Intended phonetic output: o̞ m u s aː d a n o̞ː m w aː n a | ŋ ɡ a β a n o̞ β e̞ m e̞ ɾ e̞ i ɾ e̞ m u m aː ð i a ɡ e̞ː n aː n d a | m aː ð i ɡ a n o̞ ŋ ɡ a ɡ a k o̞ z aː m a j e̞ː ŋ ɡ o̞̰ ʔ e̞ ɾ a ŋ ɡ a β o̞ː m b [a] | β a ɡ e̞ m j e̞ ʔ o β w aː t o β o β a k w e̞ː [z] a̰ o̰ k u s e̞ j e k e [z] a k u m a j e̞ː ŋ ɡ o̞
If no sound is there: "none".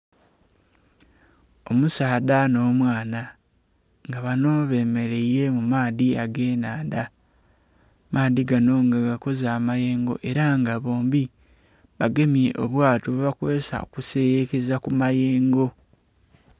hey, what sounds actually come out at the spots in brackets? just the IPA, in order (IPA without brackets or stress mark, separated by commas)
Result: i, s, z